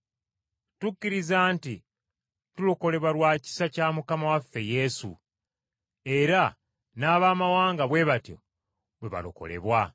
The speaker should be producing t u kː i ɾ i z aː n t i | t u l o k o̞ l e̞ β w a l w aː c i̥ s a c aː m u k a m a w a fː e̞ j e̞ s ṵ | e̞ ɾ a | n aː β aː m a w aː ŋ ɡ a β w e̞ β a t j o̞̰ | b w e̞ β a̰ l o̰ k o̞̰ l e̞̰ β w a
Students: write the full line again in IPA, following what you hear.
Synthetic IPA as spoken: t u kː i ɾ i z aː n t i | t u l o k o̞ l e̞ β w a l w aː c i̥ s a c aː m u k a m a w a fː e̞ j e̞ s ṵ | e̞ ɾ a | n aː β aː m a w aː ŋ ɡ a β w e̞ β a t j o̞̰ | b w e̞ β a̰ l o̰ k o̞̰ l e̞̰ β w a